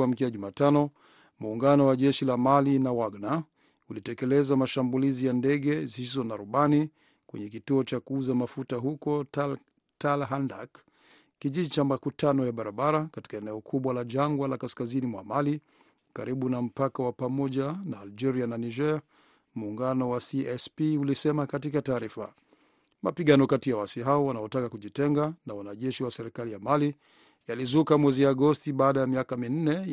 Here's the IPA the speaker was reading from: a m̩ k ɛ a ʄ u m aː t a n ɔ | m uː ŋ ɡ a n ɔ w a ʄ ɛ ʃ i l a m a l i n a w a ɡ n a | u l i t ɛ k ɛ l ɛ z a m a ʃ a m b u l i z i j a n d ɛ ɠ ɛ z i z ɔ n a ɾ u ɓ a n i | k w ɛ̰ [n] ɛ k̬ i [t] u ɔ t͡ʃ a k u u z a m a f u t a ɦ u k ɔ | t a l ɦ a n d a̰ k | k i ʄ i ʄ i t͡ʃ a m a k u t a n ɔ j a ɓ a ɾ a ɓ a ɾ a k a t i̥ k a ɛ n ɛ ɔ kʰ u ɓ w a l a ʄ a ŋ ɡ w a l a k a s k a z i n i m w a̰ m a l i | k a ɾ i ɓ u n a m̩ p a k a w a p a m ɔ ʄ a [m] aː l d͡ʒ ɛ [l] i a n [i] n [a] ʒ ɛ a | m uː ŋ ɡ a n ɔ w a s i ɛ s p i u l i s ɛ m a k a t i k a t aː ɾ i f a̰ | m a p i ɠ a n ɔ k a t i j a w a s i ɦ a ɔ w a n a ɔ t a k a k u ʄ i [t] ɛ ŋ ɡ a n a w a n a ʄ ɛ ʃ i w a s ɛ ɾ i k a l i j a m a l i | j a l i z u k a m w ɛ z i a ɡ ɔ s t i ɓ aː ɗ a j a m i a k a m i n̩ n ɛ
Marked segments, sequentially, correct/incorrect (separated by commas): incorrect, correct, incorrect, incorrect, incorrect, incorrect, correct